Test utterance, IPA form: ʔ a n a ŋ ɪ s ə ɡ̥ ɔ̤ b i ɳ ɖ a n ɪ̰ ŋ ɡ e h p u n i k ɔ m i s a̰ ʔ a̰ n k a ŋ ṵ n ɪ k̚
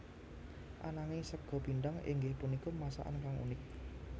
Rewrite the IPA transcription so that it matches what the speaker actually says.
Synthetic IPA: ʔ a n a ŋ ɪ s ə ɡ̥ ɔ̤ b i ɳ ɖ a ŋ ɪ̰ ŋ ɡ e h p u n i k ɔ m a s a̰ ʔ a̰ n k a ŋ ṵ n ɪ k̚

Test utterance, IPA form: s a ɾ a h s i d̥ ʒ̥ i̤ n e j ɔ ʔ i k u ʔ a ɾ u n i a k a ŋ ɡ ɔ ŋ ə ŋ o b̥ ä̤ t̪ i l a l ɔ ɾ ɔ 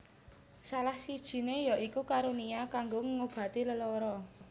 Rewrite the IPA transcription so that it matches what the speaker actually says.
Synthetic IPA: s a l a h s i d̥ ʒ̥ i̤ n e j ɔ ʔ i k u k a ɾ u n i a k a ŋ ɡ o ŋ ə ŋ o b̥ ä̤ t̪ i l ə l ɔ ɾ ɔ

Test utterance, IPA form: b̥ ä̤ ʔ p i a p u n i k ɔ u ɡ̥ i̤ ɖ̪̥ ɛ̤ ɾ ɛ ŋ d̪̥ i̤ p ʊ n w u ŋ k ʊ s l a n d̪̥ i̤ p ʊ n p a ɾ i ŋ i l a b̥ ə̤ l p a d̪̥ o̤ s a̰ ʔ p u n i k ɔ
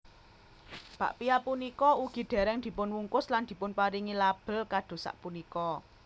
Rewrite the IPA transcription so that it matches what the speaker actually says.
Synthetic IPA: b̥ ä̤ ʔ p i a p u n i k ɔ u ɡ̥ i̤ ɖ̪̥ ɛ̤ ɾ ɛ ŋ d̪̥ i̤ p ʊ n w u ŋ k ʊ s l a n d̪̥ i̤ p ʊ n p a ɾ i ŋ i l a b̥ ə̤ l k a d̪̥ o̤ s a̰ ʔ p u n i k ɔ

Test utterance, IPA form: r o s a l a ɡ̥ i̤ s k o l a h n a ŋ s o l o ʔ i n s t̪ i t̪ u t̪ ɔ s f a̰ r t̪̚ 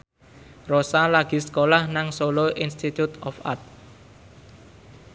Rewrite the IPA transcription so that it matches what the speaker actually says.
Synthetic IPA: r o s a l a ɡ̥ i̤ s k o l a h n a ŋ s o l o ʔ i n s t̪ i t̪ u t̪ ɔ f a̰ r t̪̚

